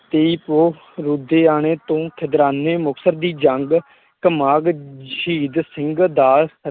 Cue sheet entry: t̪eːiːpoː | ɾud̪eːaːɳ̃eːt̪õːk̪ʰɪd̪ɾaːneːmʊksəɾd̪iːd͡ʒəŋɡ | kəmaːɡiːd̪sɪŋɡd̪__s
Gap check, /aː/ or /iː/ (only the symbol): aː